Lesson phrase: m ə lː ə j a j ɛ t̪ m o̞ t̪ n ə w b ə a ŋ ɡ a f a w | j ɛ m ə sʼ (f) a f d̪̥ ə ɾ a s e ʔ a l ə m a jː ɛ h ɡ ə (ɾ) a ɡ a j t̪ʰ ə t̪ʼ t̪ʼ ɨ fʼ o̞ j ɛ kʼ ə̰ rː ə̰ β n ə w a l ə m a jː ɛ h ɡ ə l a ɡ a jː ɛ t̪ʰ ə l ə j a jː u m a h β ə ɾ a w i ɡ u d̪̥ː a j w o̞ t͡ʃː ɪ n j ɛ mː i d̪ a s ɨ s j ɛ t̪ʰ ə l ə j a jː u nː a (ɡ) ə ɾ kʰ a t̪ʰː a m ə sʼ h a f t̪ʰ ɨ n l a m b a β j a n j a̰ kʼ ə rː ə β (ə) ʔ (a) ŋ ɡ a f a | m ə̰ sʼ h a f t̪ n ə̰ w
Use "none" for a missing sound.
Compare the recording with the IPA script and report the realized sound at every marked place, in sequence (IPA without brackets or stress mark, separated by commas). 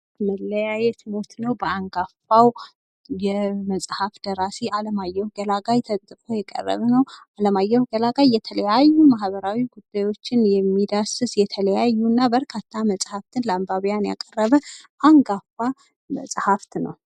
h, l, b, ə, a